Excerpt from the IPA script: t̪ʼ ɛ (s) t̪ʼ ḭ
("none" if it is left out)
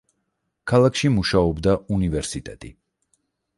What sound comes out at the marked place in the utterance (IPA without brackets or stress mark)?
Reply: none